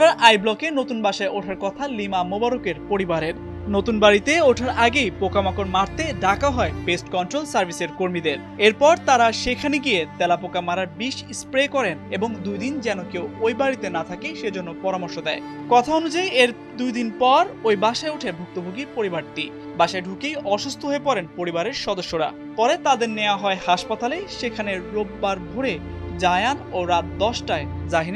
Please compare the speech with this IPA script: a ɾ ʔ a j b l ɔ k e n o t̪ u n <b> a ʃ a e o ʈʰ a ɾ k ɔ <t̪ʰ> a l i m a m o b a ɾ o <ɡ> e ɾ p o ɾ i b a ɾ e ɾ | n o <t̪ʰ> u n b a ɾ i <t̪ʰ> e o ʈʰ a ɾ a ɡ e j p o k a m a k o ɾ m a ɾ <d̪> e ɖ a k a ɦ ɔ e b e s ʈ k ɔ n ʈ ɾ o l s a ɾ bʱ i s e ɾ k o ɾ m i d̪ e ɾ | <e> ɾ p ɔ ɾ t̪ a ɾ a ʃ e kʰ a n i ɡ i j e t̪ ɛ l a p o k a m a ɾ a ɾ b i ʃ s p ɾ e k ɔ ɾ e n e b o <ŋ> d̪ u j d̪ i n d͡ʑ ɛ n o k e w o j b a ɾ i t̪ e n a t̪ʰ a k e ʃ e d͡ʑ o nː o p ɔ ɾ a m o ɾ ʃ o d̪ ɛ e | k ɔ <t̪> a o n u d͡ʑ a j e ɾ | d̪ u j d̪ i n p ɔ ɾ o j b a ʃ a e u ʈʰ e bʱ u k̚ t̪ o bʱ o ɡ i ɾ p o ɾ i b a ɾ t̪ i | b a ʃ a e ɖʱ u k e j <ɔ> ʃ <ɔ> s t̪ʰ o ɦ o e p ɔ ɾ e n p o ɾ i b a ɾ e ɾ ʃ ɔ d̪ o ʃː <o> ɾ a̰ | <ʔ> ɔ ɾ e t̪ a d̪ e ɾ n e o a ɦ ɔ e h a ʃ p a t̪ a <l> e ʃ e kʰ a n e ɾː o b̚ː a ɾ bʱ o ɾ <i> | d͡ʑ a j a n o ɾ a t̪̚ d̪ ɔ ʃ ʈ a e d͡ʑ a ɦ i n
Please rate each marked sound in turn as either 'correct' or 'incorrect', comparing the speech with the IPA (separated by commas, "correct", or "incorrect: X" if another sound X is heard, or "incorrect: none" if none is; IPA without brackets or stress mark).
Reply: correct, correct, incorrect: k, incorrect: t̪, incorrect: t̪, incorrect: t̪, correct, correct, incorrect: t̪ʰ, correct, incorrect: u, correct, incorrect: p, correct, incorrect: e